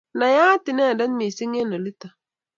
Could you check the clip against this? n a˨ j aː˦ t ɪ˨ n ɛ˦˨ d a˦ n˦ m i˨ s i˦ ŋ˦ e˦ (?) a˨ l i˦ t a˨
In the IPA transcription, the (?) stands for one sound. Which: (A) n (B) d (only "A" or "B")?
A